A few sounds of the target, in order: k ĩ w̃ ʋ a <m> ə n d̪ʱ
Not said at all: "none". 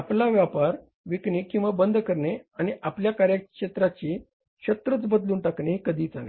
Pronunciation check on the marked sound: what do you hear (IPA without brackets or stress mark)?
b